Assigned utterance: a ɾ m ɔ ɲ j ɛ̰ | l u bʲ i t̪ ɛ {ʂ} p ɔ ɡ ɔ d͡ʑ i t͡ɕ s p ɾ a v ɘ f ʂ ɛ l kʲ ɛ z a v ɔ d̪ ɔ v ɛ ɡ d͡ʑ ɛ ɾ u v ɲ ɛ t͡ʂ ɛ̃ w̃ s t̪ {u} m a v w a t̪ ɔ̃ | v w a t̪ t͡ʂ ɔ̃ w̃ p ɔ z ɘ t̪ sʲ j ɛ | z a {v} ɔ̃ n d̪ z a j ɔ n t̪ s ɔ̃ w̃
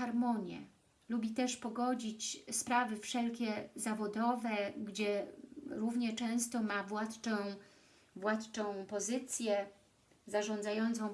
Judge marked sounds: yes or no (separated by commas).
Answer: yes, no, no